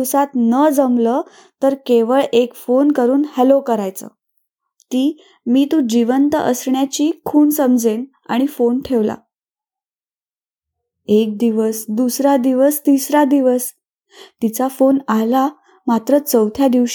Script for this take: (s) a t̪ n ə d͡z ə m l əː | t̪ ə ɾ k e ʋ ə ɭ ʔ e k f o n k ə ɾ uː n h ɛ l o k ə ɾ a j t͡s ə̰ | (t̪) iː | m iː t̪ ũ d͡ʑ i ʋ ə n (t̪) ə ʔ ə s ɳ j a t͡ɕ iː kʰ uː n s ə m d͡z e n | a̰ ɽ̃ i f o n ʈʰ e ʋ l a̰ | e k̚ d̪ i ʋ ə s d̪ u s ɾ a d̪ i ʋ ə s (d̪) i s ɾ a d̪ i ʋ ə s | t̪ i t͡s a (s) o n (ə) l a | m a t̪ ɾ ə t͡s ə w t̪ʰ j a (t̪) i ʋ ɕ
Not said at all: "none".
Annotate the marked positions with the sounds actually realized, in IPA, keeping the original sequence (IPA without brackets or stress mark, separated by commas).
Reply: s, t̪, t̪, t̪, f, a, d̪